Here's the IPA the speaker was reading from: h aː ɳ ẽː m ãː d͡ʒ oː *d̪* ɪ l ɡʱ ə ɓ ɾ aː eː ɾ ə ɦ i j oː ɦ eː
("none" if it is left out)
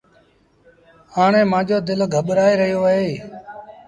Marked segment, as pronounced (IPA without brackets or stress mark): d̪